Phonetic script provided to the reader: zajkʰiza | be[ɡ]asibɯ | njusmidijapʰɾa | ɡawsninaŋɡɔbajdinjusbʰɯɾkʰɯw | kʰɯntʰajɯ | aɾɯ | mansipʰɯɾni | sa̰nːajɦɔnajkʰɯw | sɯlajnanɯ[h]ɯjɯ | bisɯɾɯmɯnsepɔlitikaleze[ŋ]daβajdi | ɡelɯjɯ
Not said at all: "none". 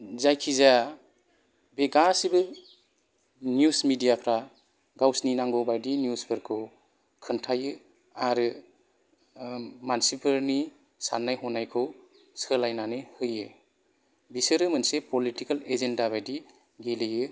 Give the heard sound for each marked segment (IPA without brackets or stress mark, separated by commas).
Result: ɡ, h, n